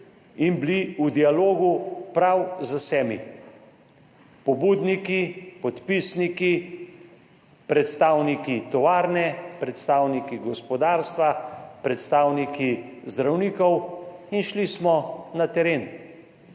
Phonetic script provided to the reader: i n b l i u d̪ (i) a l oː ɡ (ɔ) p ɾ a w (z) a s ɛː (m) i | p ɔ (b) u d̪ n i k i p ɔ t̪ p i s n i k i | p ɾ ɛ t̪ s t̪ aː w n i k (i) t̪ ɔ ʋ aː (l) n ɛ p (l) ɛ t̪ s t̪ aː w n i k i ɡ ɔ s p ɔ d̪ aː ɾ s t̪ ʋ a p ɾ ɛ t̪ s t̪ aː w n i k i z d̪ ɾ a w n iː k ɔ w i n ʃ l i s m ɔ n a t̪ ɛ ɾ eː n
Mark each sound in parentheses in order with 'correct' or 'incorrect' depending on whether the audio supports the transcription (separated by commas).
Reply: correct, incorrect, correct, correct, correct, correct, incorrect, incorrect